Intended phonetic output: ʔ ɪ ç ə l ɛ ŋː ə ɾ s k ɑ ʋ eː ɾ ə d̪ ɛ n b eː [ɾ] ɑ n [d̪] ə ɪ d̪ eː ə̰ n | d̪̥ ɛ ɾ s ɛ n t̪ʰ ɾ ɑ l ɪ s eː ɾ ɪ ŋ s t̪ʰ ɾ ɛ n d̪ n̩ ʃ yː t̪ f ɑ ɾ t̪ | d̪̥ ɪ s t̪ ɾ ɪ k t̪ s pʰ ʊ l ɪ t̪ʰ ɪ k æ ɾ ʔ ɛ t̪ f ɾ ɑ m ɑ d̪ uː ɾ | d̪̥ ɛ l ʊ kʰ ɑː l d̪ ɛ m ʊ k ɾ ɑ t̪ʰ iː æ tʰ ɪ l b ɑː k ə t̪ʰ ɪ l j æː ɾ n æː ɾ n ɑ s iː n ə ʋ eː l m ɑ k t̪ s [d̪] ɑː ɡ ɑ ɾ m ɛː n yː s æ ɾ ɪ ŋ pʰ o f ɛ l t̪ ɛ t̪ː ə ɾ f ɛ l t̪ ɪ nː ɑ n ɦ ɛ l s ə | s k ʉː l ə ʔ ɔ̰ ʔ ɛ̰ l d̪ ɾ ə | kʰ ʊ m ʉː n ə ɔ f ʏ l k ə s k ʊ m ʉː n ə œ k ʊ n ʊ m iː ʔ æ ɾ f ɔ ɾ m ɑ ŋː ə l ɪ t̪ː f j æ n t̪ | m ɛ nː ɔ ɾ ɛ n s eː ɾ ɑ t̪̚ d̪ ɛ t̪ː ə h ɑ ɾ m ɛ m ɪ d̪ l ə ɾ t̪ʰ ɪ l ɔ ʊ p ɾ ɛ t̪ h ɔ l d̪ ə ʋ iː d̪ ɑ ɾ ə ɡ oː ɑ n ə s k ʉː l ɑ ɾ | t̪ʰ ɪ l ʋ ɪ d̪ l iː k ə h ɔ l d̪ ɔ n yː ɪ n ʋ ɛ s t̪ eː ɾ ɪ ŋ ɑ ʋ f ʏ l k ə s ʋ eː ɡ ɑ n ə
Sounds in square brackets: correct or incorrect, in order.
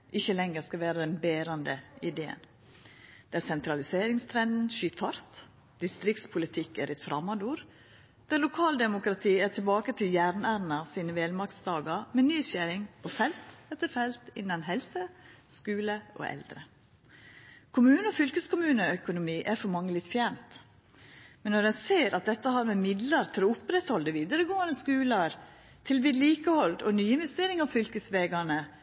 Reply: correct, correct, correct

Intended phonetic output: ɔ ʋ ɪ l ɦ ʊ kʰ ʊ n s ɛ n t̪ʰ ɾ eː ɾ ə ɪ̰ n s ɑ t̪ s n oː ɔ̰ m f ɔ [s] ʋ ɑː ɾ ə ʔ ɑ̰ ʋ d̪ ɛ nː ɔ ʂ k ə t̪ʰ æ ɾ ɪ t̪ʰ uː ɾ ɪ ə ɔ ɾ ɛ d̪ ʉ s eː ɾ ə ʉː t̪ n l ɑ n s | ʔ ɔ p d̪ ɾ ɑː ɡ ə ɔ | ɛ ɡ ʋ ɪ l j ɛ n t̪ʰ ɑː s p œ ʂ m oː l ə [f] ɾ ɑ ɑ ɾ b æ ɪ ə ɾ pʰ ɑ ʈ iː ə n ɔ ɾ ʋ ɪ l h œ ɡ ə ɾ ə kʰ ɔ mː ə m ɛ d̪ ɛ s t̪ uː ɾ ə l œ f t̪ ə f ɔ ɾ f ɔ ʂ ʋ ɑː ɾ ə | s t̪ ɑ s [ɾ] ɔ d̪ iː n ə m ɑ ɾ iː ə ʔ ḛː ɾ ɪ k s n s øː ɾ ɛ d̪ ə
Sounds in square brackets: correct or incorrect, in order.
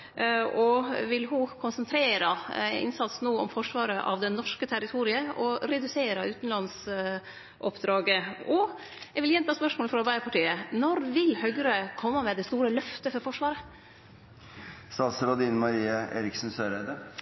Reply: incorrect: ʂ, correct, correct

